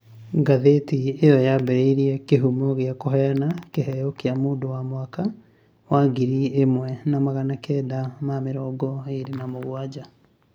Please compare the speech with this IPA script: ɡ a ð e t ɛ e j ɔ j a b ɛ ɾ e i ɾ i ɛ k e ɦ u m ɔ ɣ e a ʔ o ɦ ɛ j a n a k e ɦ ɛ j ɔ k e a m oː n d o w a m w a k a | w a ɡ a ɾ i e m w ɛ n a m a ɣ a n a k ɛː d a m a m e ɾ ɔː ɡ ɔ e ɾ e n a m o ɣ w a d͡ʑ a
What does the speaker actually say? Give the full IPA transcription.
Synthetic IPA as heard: ɡ a ð e t i e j ɔ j a b ɛ ɾ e i ɾ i ɛ k e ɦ u m ɔ ɣ e a k o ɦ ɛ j a n a k e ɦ ɛ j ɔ k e a m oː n d o w a m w a k a | w a ɡ i ɾ i e m w ɛ n a m a ɣ a n a k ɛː d a m a m e ɾ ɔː ɡ ɔ e ɾ e n a m o ɣ w a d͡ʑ a